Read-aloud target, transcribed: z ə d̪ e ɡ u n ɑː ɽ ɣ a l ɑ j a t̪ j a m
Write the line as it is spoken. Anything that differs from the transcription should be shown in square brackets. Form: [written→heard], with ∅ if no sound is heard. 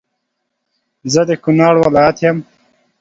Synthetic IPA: z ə d̪ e [ɡ→k] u n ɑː ɽ [ɣ→w] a l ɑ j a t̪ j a m